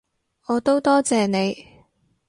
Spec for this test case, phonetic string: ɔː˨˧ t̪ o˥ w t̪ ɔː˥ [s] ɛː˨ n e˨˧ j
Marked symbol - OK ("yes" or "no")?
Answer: no